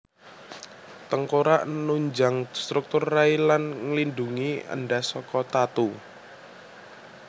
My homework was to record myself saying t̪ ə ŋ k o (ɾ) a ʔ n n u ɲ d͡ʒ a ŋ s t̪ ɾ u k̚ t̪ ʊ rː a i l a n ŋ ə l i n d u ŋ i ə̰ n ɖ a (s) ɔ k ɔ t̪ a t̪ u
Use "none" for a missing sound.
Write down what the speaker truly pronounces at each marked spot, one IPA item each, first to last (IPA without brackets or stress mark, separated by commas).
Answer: ɾ, s